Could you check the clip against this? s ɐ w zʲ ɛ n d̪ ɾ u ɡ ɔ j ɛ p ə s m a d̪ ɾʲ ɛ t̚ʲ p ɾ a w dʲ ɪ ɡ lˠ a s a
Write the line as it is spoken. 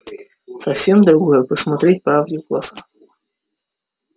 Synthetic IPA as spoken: s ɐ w sʲ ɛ m d̪ ɾ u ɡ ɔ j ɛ p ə s m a t̪ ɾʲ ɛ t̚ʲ p ɾ a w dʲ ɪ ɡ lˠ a s a